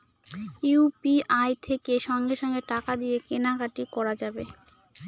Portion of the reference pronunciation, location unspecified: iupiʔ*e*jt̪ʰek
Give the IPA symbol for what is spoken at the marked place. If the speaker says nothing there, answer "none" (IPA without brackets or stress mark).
a